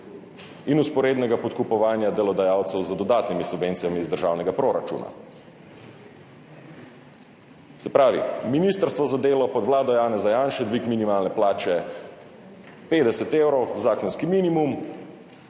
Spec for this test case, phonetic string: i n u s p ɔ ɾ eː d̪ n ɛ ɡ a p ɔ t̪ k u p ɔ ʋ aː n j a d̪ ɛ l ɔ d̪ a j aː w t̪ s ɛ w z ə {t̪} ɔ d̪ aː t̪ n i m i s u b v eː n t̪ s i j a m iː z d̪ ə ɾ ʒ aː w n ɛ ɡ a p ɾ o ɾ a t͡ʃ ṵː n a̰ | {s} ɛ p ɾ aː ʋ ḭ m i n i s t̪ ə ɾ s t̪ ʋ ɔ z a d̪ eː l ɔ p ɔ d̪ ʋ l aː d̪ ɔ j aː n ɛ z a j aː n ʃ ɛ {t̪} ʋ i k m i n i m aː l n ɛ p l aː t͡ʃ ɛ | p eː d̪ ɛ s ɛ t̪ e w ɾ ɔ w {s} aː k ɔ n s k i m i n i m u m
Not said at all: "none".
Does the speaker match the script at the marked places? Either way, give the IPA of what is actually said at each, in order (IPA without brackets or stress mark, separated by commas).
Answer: d̪, s, d̪, z